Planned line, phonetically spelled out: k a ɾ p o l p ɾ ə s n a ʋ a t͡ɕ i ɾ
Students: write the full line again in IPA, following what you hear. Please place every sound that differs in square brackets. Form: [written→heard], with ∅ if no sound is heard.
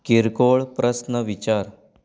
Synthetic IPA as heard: k [a→i] ɾ [p→k] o [l→ɭ] p ɾ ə s n [a→ə] ʋ [a→i] t͡ɕ [i→a] ɾ